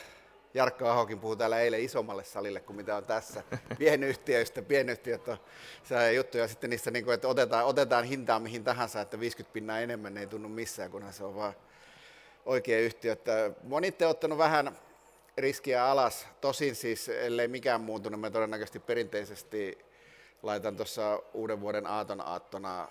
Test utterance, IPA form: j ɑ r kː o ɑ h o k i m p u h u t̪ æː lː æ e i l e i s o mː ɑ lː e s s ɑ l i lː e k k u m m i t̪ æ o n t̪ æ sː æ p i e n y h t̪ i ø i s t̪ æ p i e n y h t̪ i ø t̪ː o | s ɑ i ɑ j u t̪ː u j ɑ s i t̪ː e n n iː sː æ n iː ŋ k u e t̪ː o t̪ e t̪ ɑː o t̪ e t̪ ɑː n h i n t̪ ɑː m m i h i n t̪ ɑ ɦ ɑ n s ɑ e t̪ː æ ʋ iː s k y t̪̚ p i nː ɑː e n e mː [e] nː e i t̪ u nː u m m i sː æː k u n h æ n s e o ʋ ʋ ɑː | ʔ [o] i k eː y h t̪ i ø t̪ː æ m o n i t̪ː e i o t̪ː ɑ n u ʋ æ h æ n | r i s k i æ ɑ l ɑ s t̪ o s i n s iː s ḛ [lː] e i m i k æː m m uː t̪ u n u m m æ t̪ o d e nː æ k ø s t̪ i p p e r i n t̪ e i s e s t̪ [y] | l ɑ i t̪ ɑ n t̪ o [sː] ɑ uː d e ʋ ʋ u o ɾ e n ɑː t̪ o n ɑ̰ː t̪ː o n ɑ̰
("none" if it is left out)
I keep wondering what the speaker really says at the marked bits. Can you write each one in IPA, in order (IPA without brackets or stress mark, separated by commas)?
æ, o, lː, i, sː